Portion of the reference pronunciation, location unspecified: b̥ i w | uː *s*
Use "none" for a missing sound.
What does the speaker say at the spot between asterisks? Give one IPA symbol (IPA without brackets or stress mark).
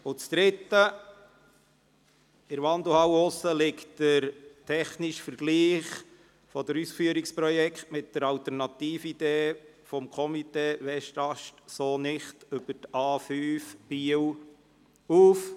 f